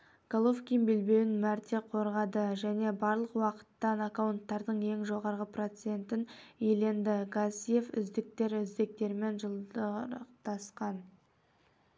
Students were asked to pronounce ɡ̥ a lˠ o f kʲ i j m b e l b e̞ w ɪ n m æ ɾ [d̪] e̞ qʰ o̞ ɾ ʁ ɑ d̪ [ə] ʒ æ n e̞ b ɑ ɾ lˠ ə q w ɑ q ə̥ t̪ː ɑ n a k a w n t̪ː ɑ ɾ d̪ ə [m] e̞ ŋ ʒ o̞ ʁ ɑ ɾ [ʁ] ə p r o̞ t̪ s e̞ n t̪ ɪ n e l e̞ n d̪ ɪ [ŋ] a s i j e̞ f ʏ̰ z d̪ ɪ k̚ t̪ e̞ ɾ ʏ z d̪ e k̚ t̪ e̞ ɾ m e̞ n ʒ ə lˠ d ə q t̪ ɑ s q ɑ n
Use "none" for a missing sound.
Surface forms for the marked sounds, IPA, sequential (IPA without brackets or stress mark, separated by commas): t̪, ə, ɴ, ʁ, ɡ